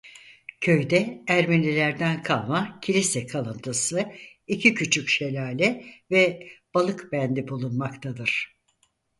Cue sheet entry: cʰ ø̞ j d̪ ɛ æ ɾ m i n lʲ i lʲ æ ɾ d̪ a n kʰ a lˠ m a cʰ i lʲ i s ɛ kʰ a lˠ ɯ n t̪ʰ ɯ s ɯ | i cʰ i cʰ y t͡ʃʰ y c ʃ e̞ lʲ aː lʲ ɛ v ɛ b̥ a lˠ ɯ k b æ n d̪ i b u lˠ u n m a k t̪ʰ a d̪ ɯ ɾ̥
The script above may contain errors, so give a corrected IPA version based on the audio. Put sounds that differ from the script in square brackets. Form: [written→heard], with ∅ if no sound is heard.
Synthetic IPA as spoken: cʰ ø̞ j d̪ ɛ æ ɾ m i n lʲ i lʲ æ ɾ d̪ [a→æ] n kʰ a lˠ m a cʰ i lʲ i s ɛ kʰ a lˠ ɯ n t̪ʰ ɯ s ɯ | i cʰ i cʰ y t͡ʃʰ y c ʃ e̞ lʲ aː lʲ ɛ v ɛ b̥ a lˠ ɯ k b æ n d̪ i b u lˠ u n m a k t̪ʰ a d̪ ɯ ɾ̥